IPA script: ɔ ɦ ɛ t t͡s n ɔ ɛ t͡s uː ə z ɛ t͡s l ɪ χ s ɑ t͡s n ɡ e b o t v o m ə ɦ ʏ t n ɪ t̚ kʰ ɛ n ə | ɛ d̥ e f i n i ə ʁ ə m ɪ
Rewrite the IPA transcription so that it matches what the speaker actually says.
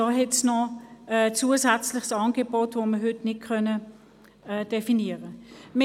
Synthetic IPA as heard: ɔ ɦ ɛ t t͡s n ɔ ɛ t͡s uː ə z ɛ t͡s l ɪ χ s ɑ n ɡ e b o t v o m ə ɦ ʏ t n ɪ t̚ kʰ œ n ə | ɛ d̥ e f i n i ə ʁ ə m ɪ